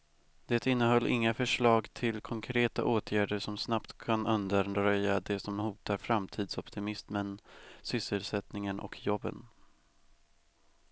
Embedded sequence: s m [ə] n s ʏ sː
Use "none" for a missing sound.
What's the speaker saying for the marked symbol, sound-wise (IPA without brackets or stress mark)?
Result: ə